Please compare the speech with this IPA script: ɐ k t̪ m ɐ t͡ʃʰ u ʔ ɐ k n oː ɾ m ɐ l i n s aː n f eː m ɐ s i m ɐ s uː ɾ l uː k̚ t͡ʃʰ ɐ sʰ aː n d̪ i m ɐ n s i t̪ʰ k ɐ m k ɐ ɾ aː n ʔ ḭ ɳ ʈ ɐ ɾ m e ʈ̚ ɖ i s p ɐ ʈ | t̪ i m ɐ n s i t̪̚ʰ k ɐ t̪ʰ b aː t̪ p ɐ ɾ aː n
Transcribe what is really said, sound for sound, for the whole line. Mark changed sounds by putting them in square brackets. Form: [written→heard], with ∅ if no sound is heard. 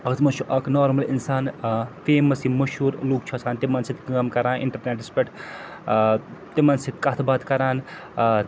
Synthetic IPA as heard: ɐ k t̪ m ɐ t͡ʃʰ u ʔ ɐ k n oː ɾ m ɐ l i n s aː n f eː m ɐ s i m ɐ [s→ʃ] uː ɾ l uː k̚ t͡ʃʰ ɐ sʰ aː n [d̪→t̪] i m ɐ n s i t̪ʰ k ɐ m k ɐ ɾ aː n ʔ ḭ ɳ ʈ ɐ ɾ [m→n] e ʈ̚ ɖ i s p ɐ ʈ | t̪ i m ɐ n s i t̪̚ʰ k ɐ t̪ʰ b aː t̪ [p→k] ɐ ɾ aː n